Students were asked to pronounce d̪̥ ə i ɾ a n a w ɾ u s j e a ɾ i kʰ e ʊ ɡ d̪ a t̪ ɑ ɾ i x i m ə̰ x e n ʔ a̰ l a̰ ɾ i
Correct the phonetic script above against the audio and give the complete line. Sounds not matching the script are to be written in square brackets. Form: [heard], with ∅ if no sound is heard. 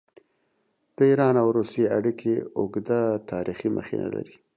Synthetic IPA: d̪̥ ə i ɾ [ɑ] n a w ɾ u s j e a [ɽ] i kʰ e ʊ ɡ d̪ a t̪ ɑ ɾ i x i m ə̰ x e n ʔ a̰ l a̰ ɾ i